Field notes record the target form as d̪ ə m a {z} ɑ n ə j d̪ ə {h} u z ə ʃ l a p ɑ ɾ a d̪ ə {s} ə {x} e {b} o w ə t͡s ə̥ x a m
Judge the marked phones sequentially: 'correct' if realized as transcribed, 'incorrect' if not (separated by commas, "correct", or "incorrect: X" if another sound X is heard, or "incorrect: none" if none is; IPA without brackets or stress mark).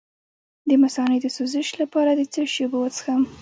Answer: incorrect: s, incorrect: s, incorrect: t͡s, incorrect: ʃ, correct